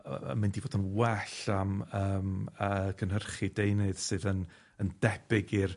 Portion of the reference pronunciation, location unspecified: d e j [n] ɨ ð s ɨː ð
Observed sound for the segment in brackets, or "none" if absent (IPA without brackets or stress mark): n